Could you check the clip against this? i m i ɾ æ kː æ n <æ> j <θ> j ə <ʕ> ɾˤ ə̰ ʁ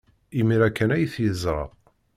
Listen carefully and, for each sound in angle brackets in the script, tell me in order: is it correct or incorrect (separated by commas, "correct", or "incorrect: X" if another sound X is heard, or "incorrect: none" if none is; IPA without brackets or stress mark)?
correct, correct, incorrect: z